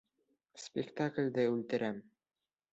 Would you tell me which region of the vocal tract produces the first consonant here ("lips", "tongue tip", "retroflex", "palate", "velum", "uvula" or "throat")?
tongue tip